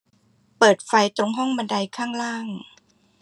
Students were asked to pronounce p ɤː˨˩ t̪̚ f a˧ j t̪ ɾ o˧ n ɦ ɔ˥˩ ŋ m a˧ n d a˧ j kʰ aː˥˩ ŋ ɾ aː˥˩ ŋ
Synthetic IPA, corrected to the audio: p ɤː˨˩ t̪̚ f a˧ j t̪ ɾ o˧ ŋ ɦ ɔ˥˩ ŋ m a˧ n d a˧ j kʰ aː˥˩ ŋ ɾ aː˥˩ ŋ